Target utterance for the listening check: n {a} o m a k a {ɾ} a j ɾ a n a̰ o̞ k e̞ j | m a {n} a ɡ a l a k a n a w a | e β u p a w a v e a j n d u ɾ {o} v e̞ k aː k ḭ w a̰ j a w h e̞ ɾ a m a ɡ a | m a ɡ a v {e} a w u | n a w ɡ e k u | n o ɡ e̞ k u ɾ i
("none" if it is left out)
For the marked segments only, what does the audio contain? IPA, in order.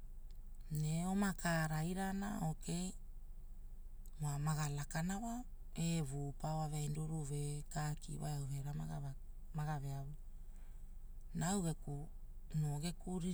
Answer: e, ɾ, m, u, e

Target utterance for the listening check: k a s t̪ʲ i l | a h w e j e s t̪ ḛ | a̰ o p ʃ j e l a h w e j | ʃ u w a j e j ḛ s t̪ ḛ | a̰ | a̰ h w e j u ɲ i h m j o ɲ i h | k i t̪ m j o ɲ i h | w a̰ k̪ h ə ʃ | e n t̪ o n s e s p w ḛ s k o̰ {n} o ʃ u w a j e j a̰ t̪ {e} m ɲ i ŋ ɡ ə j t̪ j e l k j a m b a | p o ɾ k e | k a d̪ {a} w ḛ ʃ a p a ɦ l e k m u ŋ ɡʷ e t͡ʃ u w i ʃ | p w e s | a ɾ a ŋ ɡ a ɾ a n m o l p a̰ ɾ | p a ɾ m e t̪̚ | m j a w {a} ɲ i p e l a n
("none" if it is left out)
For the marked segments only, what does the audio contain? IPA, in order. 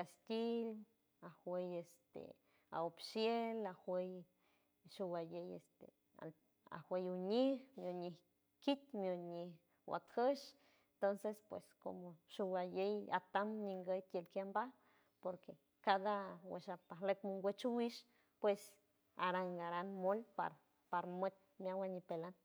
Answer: m, a, a, a

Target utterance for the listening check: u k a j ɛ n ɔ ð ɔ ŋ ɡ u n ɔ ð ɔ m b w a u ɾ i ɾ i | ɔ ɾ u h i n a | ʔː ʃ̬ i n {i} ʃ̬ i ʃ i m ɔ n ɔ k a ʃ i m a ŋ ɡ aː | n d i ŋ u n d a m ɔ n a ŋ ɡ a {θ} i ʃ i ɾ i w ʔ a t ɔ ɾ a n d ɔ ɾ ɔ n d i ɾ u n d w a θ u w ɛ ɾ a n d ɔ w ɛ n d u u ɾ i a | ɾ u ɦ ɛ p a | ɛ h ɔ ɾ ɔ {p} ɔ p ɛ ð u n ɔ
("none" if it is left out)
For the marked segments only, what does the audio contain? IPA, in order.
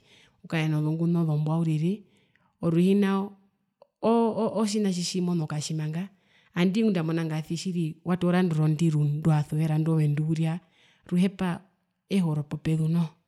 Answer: a, θ, p

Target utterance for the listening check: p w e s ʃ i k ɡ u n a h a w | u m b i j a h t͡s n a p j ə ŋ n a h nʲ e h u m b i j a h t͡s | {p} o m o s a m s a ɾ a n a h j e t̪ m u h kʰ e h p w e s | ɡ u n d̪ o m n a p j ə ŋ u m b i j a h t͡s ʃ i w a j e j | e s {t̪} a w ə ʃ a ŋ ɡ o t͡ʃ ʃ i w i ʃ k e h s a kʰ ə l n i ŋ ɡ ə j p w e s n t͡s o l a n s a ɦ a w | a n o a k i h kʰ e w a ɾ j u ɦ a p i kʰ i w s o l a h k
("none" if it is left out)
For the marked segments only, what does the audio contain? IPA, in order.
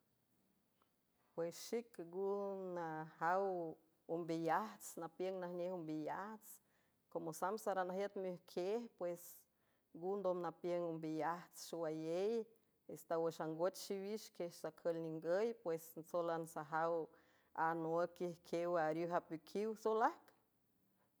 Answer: k, t̪

